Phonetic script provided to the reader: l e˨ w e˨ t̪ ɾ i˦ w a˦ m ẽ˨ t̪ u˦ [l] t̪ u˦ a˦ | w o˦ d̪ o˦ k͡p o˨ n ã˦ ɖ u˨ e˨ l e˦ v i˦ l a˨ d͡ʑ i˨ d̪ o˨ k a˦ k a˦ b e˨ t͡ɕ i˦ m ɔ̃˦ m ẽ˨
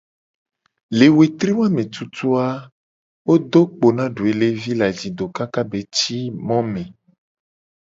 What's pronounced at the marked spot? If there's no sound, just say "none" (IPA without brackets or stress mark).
none